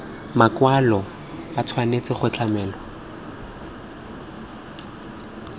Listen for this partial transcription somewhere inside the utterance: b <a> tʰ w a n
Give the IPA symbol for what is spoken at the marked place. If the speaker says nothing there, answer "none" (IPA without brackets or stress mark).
a